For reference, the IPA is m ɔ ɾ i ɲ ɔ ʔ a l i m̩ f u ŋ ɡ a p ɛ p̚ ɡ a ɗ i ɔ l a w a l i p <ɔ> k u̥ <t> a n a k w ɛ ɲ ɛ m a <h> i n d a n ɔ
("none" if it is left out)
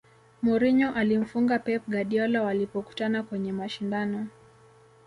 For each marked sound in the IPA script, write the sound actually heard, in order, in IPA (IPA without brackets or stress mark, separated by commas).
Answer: ɔ, t, ʃ